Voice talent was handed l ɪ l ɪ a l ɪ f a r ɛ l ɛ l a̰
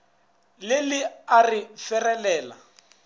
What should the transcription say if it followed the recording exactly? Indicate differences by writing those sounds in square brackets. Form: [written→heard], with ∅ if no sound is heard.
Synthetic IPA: l ɪ l ɪ a [l→r] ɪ f [a→ɛ] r ɛ l [ɛ→ɛː] l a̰